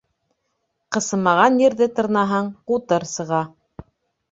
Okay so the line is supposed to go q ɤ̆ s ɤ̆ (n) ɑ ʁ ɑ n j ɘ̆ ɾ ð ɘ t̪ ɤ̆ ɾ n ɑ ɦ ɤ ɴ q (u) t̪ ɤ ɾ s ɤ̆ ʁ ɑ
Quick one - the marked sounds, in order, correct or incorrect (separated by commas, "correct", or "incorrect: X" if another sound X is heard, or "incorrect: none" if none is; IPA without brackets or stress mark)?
incorrect: m, correct